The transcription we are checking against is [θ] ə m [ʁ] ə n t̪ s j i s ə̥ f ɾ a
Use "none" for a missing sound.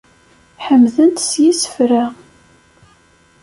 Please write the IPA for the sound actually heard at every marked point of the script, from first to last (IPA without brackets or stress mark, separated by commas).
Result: ħ, ð